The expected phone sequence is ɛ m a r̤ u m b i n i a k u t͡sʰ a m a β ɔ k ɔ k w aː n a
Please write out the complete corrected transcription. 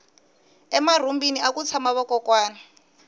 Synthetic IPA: ɛ m a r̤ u m b i n i a k u t͡sʰ a m a β ɔ k ɔ k w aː n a